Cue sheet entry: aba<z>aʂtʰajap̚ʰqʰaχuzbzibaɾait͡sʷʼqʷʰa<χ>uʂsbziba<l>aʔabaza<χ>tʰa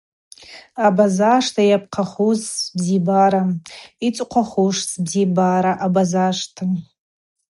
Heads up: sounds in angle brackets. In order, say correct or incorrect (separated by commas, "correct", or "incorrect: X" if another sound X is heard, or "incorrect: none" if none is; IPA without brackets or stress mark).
correct, correct, incorrect: ɾ, incorrect: ʂ